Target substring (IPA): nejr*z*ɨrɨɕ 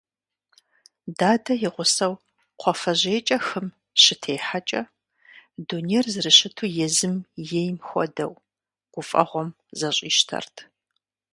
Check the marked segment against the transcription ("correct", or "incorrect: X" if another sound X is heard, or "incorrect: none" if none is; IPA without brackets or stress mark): correct